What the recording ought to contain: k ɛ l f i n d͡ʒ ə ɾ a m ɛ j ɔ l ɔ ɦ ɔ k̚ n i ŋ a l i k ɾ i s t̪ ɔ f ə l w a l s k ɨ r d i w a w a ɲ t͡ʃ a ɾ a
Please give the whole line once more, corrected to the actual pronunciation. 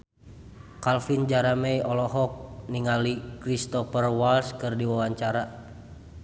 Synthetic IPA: k a l f i n d͡ʒ a ɾ a m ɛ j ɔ l ɔ ɦ ɔ k̚ n i ŋ a l i k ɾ i s t̪ ɔ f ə r w a l s k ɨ r d i w a w a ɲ t͡ʃ a ɾ a